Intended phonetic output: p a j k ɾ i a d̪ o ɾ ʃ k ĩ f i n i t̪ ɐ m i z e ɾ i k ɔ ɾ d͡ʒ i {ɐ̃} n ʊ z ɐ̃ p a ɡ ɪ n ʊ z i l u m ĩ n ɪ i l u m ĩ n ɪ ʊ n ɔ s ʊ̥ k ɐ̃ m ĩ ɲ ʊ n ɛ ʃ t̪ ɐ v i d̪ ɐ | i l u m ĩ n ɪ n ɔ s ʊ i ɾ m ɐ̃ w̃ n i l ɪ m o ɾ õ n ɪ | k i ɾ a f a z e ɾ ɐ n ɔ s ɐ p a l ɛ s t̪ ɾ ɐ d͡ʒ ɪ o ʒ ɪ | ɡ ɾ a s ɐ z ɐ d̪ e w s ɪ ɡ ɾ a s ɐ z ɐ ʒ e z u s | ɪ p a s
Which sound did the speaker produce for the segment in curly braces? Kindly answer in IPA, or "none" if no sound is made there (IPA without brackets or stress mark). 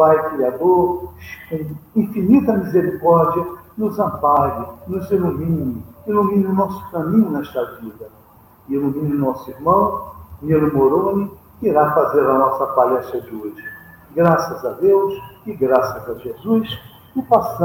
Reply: ɐ